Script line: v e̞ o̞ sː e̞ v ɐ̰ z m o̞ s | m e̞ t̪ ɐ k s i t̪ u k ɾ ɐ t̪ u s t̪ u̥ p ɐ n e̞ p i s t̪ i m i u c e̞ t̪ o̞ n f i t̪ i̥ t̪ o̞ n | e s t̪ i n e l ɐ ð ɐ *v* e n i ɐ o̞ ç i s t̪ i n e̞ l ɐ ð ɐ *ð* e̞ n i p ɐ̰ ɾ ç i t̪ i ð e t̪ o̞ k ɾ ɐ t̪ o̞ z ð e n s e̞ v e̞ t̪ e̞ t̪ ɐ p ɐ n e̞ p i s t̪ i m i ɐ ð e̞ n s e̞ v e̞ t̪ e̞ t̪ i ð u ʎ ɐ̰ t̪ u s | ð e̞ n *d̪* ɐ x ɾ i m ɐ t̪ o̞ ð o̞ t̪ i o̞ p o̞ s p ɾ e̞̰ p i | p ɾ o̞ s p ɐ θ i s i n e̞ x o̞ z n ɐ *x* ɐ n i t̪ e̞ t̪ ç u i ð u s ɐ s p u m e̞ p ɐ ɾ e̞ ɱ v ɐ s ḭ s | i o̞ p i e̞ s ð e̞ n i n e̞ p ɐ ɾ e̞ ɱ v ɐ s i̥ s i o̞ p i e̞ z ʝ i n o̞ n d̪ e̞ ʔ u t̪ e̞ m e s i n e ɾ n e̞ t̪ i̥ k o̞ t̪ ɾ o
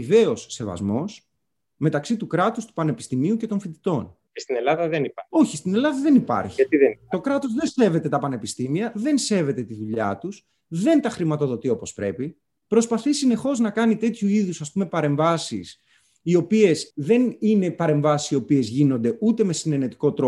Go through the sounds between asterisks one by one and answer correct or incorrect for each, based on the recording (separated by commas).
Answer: incorrect, correct, incorrect, incorrect